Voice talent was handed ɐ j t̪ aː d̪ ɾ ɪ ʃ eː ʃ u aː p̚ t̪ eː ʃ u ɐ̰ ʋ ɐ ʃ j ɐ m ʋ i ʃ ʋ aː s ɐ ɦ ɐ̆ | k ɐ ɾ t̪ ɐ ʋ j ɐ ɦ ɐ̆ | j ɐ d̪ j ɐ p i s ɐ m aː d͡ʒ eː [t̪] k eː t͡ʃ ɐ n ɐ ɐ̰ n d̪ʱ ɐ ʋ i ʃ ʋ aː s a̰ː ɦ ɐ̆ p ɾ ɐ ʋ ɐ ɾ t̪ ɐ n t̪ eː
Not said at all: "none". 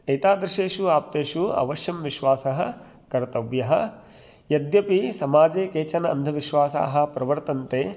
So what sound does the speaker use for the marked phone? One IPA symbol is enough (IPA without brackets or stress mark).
none